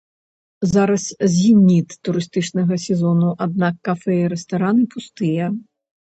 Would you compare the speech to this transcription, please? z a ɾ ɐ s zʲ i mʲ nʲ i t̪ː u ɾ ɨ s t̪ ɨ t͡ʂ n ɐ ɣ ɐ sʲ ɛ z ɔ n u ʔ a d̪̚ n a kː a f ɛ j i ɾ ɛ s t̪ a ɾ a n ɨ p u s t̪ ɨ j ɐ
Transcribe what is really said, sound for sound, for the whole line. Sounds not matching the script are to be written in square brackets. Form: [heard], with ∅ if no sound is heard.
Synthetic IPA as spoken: z a ɾ ɐ s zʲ i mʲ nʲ i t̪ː u ɾ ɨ s t̪ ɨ t͡ʂ n ɐ ɣ ɐ sʲ ɛ z ɔ n u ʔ a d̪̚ n a kː a f ɛ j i ɾ ɛ s t̪ a ɾ a n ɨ p u s t̪ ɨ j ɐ